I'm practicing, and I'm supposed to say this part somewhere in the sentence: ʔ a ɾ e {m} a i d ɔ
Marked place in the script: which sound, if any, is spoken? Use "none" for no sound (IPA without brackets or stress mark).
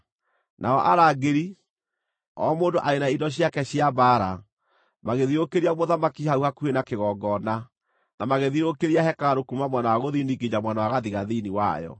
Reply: n